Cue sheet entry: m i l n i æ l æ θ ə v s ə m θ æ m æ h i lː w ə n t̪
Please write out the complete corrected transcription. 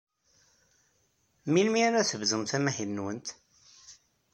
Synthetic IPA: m i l m i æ ɾ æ θ ə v z ə m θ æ m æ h i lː w ə n t̪